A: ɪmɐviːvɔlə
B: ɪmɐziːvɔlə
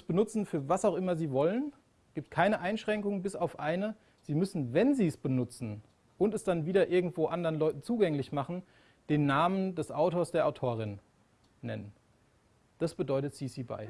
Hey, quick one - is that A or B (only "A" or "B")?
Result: B